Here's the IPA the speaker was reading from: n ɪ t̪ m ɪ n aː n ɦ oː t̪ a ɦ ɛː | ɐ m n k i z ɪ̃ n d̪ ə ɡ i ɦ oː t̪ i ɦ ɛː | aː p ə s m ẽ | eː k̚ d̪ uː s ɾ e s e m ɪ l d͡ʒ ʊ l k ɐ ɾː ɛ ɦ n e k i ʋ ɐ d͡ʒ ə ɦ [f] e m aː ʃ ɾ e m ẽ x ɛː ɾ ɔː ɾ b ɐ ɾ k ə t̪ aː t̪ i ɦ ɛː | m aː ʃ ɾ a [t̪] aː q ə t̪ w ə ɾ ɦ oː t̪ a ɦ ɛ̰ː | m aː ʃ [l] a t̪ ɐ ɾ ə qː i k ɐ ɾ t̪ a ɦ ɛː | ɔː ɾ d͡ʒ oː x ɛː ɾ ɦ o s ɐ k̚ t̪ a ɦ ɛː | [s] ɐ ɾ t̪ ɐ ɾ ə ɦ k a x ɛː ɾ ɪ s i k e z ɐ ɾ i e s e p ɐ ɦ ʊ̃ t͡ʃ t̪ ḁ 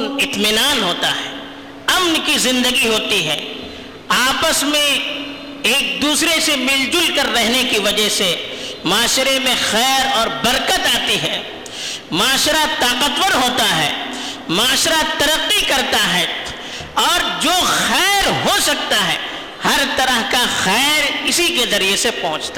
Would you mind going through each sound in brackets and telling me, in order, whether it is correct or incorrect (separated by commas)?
incorrect, correct, incorrect, incorrect